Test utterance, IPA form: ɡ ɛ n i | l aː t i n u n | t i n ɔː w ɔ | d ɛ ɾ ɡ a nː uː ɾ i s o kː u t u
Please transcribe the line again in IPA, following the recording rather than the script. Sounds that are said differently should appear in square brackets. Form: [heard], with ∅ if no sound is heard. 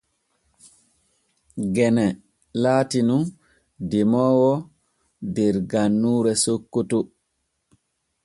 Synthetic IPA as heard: ɡ ɛ n [ɛ] | l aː t i n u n | [d] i [m] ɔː w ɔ | d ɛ ɾ ɡ a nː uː ɾ [ɛ] s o kː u t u